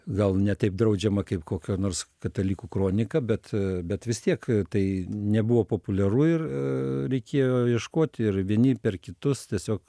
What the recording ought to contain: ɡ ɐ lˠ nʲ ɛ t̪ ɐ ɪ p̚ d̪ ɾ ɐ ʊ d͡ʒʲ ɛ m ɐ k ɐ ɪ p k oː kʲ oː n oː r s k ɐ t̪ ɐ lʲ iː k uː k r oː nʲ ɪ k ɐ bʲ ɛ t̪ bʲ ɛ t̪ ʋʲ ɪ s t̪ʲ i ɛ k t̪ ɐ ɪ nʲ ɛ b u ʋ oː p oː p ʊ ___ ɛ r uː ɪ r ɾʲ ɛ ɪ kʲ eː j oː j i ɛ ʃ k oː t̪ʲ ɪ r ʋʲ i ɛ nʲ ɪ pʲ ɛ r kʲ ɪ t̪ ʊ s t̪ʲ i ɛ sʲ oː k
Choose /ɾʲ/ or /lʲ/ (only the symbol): lʲ